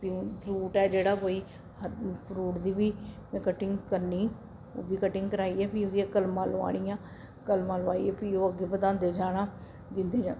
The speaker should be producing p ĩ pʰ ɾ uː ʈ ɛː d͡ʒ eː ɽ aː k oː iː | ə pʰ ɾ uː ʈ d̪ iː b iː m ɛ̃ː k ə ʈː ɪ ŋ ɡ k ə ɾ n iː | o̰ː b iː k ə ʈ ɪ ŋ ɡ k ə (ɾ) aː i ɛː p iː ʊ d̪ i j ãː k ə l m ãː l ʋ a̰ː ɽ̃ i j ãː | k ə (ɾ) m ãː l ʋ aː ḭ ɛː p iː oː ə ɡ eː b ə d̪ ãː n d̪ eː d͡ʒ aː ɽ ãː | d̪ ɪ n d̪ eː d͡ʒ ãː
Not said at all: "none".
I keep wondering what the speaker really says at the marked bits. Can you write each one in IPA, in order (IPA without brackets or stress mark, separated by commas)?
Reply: ɾ, l